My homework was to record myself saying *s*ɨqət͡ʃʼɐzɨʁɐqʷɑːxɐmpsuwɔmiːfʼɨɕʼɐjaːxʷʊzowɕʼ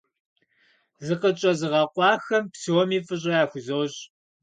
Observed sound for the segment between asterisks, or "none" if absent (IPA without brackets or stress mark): z